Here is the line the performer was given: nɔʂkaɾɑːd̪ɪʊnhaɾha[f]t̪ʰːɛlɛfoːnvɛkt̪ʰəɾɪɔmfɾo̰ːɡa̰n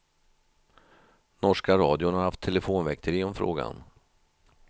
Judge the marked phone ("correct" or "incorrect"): correct